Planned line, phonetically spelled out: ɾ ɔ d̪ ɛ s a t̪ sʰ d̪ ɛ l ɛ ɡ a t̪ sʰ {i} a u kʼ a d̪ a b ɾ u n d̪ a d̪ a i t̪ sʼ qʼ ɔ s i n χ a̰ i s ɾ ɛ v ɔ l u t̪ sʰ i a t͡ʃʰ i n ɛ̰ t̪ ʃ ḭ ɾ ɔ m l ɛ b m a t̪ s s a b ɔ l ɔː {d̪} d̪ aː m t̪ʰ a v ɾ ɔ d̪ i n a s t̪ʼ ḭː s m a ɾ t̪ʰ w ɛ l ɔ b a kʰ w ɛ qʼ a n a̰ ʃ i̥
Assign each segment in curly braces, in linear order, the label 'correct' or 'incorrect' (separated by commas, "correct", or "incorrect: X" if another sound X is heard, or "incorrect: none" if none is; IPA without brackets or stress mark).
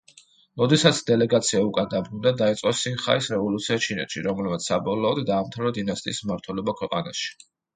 correct, correct